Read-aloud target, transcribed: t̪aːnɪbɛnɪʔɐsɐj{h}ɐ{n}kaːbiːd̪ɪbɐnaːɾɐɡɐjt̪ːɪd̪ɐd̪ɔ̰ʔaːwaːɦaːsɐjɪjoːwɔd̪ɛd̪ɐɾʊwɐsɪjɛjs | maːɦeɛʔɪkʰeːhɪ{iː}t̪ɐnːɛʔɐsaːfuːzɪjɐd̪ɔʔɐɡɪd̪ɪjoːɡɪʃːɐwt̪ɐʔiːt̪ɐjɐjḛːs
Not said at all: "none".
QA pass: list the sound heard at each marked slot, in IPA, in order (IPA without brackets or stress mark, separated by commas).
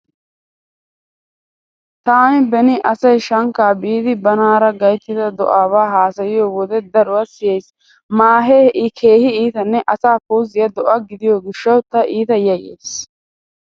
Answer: ʃ, ŋ, iː